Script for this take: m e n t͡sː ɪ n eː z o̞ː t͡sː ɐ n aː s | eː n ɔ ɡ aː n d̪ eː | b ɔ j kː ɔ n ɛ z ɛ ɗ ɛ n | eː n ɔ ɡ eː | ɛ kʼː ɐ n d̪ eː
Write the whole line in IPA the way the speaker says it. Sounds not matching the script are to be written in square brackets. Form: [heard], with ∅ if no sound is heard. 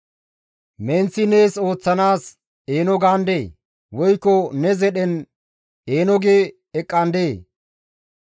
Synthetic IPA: m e n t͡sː ɪ n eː [s] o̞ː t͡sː ɐ n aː s | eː n ɔ ɡ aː n d̪ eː | [w] ɔ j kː ɔ n ɛ z ɛ ɗ ɛ n | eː n ɔ ɡ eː | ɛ kʼː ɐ n d̪ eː